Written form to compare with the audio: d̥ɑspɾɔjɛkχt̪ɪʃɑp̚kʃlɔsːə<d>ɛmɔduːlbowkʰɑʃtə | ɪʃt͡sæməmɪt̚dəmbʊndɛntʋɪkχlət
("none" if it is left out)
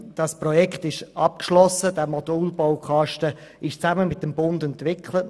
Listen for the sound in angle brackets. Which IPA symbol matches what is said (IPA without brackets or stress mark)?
d